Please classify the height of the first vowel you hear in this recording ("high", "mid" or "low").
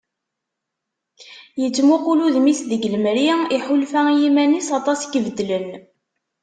mid